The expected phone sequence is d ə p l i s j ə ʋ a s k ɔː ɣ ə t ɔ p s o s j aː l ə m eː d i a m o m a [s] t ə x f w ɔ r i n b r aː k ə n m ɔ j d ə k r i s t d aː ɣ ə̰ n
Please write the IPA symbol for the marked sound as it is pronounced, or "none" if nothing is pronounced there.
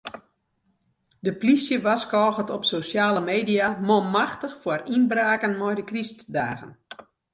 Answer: x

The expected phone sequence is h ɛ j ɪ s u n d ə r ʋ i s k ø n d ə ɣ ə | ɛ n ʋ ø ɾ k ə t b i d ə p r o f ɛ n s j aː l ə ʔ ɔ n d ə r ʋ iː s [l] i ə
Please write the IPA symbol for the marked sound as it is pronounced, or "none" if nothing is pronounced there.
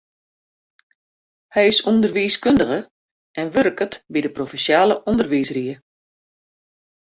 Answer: r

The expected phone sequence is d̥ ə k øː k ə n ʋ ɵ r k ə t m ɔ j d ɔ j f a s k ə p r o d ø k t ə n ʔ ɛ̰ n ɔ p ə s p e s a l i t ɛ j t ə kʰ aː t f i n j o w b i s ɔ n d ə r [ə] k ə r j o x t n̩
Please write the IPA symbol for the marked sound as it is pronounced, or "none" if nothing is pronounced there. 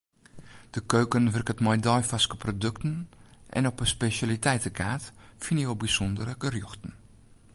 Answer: ə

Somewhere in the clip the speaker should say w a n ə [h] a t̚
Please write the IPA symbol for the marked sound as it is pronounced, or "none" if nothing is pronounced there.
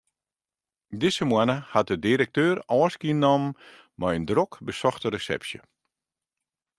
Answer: h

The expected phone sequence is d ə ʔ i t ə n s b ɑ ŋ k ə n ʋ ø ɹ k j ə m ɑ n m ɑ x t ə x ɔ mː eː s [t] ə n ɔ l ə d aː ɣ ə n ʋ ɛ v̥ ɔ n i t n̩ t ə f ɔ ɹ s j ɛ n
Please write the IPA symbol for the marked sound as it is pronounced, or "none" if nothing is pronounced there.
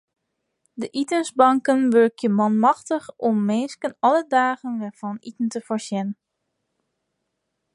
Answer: k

